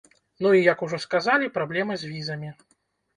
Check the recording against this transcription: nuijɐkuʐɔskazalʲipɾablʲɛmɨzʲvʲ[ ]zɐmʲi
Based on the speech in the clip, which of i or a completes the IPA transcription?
i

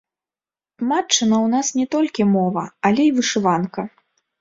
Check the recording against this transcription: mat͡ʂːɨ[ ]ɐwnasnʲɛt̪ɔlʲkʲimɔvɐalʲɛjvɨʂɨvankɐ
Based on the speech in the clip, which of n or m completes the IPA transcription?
n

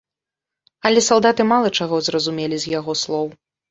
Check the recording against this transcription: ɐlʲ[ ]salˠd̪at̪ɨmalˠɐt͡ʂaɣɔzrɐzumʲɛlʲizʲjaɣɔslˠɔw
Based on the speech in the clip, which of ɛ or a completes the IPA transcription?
ɛ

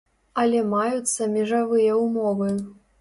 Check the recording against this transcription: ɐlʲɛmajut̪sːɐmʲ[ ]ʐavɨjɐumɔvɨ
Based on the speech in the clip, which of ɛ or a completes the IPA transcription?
ɛ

